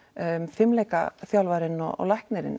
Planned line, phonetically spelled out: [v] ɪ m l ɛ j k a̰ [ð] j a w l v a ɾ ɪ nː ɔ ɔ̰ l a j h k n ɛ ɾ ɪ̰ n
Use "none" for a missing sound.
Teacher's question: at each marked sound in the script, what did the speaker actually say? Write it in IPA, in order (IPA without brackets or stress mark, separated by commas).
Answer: f, θ